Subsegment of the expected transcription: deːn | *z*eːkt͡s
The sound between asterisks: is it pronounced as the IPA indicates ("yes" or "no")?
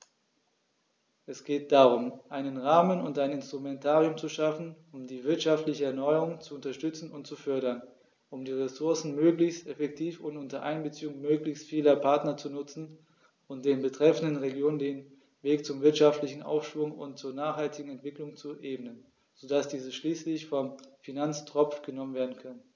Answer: no